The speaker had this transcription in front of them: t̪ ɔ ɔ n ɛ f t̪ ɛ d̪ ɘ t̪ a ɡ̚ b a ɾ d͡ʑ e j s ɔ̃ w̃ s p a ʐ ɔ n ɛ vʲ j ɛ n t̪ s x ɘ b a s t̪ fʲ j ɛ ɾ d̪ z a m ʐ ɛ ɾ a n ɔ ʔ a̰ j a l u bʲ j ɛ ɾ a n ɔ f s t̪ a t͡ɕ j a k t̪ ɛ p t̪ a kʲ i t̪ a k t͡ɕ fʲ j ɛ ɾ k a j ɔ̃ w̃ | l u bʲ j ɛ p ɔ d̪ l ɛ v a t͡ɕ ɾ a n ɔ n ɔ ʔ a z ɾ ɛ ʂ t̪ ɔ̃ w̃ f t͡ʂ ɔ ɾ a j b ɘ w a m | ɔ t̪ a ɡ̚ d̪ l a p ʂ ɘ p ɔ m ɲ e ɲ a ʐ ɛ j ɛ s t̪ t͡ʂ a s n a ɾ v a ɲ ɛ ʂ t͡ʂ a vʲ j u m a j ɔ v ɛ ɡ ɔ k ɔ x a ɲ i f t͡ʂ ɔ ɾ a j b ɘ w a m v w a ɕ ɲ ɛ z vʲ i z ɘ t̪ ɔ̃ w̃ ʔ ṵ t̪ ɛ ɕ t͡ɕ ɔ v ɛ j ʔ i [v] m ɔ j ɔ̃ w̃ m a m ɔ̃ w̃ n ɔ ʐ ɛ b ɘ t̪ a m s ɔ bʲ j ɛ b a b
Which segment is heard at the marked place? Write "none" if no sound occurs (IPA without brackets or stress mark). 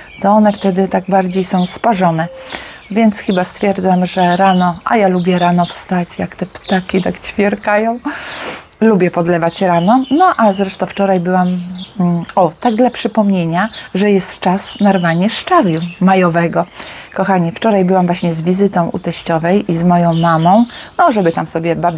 z